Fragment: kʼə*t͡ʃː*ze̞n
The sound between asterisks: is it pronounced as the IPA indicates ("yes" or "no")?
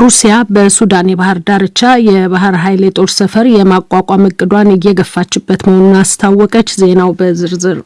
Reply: yes